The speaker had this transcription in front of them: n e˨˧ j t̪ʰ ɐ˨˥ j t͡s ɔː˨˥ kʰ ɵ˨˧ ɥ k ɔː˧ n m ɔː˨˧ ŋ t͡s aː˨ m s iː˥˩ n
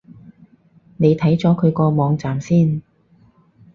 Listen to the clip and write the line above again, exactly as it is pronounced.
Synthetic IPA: n e˨˧ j t̪ʰ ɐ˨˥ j t͡s ɔː˨˥ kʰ ɵ˨˧ ɥ k ɔː˧ m ɔː˨˧ ŋ t͡s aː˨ m s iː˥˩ n